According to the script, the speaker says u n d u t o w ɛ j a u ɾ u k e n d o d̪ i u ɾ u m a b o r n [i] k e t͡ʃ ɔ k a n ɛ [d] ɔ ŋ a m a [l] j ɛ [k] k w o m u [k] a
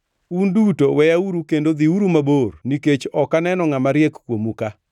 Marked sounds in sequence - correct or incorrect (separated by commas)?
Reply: correct, incorrect, incorrect, correct, correct